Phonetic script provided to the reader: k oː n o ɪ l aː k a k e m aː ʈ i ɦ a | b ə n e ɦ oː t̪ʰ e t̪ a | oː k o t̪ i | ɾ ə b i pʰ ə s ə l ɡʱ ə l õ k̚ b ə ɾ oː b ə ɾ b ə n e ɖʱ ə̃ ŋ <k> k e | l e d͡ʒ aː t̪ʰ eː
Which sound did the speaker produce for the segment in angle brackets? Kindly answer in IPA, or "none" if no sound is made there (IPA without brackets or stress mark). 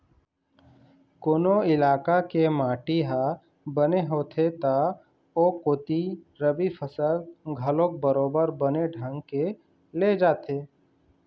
ɡ